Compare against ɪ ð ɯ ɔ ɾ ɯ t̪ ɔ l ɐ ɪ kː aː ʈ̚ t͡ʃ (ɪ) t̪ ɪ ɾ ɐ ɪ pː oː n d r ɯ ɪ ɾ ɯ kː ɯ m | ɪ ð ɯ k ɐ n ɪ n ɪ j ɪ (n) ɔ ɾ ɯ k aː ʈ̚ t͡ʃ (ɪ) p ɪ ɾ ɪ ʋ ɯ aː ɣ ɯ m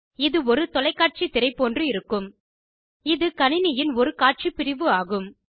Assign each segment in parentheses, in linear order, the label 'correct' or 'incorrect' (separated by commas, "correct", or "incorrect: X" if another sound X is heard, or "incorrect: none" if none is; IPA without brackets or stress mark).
incorrect: i, correct, incorrect: i